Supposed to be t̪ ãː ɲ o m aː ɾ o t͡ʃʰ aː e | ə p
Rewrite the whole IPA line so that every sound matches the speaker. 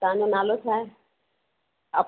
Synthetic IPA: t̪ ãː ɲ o n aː l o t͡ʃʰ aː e | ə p